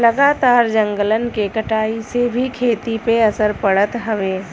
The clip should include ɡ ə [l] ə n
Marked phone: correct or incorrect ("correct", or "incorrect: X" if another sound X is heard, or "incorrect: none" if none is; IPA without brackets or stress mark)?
correct